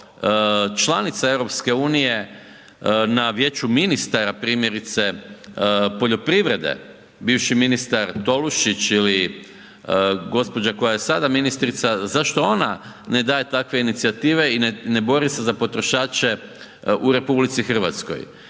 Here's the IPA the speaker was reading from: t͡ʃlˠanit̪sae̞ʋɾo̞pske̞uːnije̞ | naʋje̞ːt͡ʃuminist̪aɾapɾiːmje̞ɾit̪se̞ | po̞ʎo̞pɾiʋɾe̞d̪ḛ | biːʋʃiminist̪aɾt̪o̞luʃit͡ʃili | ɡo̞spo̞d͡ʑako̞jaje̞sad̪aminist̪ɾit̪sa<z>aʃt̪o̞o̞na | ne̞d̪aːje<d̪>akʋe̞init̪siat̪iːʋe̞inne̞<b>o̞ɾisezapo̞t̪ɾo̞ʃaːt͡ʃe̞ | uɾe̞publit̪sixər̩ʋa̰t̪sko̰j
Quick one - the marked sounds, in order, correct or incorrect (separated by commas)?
correct, incorrect, correct